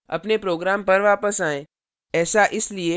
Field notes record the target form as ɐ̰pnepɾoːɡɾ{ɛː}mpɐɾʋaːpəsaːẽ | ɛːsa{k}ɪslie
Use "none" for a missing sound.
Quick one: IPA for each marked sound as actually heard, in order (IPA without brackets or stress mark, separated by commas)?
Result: aː, ʔ